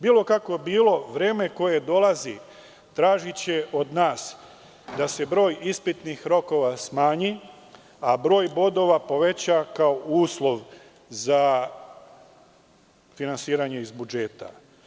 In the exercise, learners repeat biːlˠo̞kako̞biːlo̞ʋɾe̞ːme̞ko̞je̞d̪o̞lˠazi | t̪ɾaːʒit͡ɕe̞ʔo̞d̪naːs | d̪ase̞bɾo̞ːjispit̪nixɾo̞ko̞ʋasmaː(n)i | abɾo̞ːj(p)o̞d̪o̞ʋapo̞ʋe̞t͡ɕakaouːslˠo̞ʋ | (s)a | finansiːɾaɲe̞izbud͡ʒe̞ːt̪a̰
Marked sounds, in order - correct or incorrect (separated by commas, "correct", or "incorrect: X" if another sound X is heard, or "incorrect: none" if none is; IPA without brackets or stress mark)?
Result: incorrect: ɲ, incorrect: b, incorrect: z